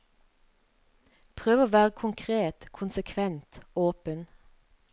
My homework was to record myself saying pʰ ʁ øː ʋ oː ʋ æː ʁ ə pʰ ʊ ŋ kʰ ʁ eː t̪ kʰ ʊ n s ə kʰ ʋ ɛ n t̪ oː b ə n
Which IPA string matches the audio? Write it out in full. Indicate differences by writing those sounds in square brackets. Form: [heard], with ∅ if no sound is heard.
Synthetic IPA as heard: pʰ ʁ øː ʋ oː ʋ æː ʁ ə [kʰ] ʊ ŋ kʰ ʁ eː t̪ kʰ ʊ n s ə kʰ ʋ ɛ n t̪ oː [p] ə n